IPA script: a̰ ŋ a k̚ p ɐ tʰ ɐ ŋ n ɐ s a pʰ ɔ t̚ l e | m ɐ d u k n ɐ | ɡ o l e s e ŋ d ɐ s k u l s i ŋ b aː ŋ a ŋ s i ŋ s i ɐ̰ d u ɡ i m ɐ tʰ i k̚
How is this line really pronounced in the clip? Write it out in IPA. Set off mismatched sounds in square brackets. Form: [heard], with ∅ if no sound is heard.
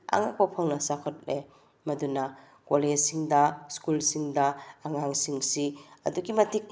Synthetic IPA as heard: a̰ ŋ a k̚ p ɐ [pʰ] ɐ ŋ n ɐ s a [kʰ] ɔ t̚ l e | m ɐ d u [∅] n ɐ | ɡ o l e s [i] ŋ d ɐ s k u l s i ŋ [d] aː ŋ a ŋ s i ŋ s i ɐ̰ d u ɡ i m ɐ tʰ i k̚